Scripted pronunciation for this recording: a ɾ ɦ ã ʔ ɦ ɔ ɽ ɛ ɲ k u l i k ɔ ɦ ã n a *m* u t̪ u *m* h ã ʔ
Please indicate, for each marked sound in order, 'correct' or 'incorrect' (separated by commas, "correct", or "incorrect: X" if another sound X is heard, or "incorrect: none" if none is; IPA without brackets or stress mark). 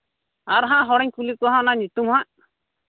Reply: incorrect: ɲ, correct